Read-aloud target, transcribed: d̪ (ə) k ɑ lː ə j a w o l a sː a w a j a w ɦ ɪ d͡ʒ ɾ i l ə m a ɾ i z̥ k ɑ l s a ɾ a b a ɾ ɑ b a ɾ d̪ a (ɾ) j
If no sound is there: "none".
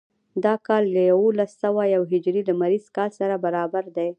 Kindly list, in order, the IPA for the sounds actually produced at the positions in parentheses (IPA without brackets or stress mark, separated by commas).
ɑ, none